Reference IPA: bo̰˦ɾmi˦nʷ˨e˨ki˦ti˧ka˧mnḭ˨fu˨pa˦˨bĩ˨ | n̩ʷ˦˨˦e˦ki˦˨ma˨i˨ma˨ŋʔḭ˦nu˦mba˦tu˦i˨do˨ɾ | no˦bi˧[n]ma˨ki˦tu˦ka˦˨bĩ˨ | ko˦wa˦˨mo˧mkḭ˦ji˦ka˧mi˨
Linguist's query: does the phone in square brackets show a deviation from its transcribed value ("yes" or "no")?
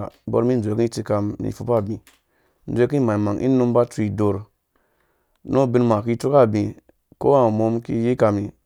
no